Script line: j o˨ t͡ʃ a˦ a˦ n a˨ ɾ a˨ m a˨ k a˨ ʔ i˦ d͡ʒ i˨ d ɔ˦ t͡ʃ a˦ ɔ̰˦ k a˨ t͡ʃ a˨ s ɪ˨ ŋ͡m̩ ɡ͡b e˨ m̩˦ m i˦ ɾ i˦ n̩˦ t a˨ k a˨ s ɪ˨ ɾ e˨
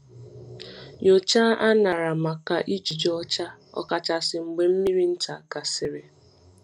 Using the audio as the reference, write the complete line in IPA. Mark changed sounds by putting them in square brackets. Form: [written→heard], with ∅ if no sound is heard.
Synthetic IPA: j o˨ t͡ʃ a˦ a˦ n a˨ ɾ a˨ m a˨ k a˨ ʔ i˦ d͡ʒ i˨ [d→d͡ʒ] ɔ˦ t͡ʃ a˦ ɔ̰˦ k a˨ t͡ʃ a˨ s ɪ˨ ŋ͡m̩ ɡ͡b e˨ m̩˦ m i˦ ɾ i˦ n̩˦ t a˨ k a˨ s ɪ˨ ɾ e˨